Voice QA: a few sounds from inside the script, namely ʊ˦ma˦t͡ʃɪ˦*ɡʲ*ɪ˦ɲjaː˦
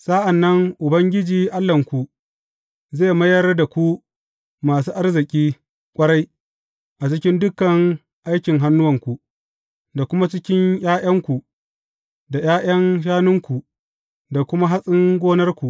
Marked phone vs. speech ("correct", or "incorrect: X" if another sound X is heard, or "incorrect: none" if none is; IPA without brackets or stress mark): incorrect: kʲ